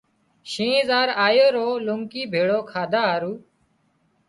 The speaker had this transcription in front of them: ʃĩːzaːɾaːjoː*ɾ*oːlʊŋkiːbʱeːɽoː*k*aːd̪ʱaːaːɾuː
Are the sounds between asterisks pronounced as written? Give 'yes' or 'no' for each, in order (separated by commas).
yes, no